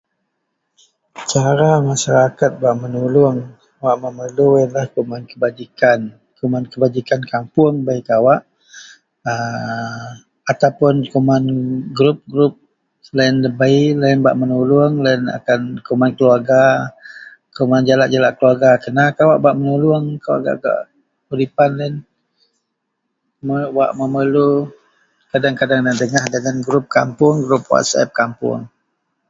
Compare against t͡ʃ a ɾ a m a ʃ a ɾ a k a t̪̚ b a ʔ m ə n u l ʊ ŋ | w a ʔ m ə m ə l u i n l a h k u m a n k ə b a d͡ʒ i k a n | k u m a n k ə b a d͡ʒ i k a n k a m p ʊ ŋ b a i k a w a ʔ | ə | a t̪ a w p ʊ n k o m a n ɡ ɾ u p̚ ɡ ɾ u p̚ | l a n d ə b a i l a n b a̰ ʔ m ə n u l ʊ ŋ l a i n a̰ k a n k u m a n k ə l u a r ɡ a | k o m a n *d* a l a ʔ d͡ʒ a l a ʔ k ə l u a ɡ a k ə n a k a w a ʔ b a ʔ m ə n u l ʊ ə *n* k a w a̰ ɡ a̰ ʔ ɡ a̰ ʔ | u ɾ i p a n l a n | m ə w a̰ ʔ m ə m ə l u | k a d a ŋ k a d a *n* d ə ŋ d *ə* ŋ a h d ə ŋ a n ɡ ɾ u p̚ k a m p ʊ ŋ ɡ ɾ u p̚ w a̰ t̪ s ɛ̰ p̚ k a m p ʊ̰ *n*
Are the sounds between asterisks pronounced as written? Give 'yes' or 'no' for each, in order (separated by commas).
no, no, no, yes, no